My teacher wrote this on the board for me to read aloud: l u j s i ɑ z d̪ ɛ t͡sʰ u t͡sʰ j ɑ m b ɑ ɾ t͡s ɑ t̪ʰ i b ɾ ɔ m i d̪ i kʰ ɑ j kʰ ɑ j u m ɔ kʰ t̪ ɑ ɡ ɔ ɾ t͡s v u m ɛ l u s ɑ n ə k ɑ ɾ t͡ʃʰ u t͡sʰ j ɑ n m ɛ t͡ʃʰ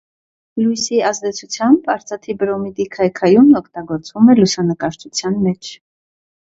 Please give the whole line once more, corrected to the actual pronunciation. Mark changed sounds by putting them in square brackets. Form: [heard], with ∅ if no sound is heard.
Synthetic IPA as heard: l u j s i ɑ z d̪ ɛ t͡sʰ u t͡sʰ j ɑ m b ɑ ɾ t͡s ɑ t̪ʰ i b ɾ ɔ m i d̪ i kʰ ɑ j kʰ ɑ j u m ɔ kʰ t̪ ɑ ɡ ɔ ɾ t͡s v u m ɛ l u s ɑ n ə k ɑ ɾ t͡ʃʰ u t͡sʰ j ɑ n m ɛ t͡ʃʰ